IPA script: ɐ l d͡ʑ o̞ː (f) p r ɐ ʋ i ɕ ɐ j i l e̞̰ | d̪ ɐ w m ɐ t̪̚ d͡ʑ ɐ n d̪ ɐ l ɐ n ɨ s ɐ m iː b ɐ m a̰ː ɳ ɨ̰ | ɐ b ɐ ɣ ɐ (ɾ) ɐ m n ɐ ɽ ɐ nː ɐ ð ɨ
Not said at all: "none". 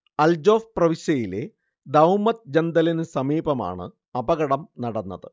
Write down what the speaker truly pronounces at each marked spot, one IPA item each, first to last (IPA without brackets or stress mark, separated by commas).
f, ɽ